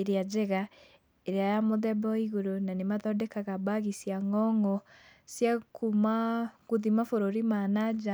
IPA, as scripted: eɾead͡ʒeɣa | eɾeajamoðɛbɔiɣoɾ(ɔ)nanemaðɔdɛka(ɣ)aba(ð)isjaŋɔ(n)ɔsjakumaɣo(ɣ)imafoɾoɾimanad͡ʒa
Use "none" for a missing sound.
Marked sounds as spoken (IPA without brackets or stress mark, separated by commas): o, ɣ, ɣ, ŋ, ð